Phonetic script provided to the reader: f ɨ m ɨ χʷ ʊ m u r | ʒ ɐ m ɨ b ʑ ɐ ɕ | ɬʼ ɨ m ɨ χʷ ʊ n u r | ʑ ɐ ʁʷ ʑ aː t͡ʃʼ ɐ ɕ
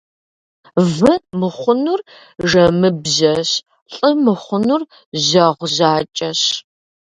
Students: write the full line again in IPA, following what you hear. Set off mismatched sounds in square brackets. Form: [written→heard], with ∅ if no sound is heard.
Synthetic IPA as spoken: [f→v] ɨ m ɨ χʷ ʊ [m→n] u r | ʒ ɐ m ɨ b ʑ ɐ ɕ | ɬʼ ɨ m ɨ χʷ ʊ n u r | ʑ ɐ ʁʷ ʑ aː t͡ʃʼ ɐ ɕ